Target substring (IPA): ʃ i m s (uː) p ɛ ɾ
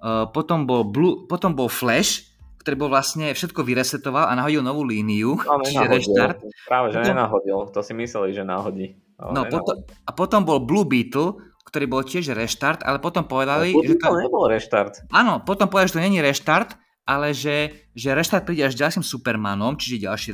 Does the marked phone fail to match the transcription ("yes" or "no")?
yes